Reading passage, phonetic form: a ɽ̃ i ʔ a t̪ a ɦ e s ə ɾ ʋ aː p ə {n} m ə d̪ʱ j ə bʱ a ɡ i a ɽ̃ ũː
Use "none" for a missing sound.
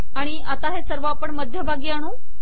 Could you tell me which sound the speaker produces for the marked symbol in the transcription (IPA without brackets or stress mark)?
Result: ɳ